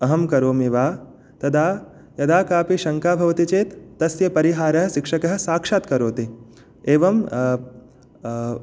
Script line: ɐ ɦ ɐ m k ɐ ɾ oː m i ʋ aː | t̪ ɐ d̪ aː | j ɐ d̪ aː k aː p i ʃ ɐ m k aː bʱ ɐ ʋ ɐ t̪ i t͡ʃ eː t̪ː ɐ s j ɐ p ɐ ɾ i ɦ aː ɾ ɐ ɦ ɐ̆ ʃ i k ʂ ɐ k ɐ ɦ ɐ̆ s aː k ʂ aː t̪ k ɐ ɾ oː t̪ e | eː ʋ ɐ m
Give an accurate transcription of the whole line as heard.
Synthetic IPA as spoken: ɐ ɦ ɐ m k ɐ ɾ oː m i ʋ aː | t̪ ɐ d̪ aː | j ɐ d̪ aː k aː p i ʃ ɐ ŋ k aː bʱ ɐ ʋ ɐ t̪ i t͡ʃ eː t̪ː ɐ s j ɐ p ɐ ɾ i ɦ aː ɾ ɐ ɦ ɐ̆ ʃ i k ʂ ɐ k ɐ ɦ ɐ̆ s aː k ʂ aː t̪ k ɐ ɾ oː t̪ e | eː ʋ ɐ m